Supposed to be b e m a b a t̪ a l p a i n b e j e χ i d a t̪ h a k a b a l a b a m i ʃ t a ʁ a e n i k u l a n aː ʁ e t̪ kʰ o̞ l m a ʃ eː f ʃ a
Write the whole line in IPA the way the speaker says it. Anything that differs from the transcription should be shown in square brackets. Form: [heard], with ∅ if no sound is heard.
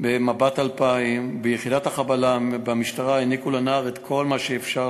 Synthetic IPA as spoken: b e m a b a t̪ a l p a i [m] b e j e χ i d a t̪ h a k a b a l a b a m i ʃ t a ʁ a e n i k u l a n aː ʁ e t̪ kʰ o̞ l m a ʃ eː f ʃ a